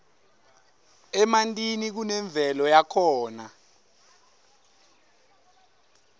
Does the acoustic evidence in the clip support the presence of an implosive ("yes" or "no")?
no